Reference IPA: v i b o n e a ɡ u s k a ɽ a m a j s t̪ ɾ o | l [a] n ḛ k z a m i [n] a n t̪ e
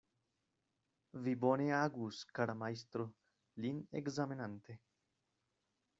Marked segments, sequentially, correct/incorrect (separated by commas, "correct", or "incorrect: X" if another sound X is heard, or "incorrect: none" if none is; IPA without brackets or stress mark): incorrect: i, correct